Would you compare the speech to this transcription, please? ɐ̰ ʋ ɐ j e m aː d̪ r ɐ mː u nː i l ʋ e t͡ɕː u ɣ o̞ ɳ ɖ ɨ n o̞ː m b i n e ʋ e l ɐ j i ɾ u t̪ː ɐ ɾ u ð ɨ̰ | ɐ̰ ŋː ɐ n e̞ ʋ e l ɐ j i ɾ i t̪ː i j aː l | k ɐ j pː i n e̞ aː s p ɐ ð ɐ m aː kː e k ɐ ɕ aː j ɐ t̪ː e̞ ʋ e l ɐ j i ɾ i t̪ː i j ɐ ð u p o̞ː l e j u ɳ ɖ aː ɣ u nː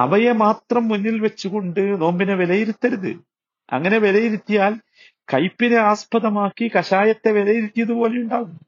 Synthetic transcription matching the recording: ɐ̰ ʋ ɐ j e m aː t̪ r ɐ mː u nː i l ʋ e t͡ɕː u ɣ o̞ ɳ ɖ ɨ n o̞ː m b i n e ʋ e l ɐ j i ɾ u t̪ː ɐ ɾ u ð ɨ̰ | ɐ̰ ŋː ɐ n e̞ ʋ e l ɐ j i ɾ i t̪ː i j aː l | k ɐ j pː i n e̞ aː s p ɐ ð ɐ m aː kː i k ɐ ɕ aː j ɐ t̪ː e̞ ʋ e l ɐ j i ɾ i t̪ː i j ɐ ð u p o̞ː l e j u ɳ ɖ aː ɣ u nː